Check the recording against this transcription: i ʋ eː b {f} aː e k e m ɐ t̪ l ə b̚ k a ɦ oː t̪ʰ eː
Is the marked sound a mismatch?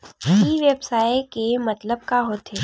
yes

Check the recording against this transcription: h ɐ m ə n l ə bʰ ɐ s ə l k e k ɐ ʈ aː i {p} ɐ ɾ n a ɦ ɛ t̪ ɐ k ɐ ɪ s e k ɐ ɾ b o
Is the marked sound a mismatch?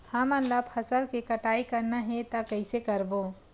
yes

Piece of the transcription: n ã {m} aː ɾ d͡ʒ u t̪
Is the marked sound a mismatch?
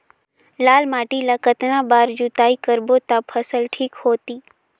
yes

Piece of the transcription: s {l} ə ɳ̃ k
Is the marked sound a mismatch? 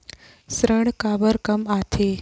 yes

